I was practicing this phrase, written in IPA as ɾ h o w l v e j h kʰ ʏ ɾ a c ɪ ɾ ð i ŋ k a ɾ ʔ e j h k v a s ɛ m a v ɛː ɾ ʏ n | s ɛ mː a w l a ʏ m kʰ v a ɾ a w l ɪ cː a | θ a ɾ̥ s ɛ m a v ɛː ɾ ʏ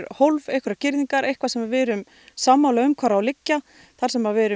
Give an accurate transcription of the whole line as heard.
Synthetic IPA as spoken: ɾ h o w l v e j h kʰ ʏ ɾ a c ɪ ɾ ð i ŋ k a ɾ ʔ e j h k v a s ɛ m a v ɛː ɾ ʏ m | s a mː a w l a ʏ m kʰ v a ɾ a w l ɪ cː a | θ a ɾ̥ s ɛ m a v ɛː ɾ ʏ